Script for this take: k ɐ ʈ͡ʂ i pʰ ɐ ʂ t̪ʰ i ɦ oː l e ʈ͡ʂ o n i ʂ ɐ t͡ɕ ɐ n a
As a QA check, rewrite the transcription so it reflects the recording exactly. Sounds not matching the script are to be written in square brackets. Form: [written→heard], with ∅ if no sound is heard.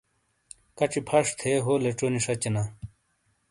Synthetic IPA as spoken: k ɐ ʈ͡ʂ i pʰ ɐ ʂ t̪ʰ [i→e] ɦ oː l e ʈ͡ʂ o n i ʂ ɐ t͡ɕ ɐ n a